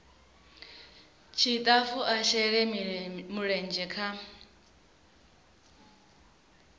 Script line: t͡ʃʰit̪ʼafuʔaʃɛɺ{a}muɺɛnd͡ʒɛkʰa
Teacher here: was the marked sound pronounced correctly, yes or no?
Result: no